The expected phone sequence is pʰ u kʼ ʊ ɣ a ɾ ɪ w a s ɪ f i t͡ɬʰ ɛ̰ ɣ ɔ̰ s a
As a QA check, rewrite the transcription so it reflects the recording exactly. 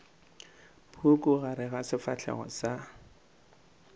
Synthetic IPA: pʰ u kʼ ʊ ɣ a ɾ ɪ ɣ a s ɪ f a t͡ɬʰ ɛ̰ ɣ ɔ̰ s a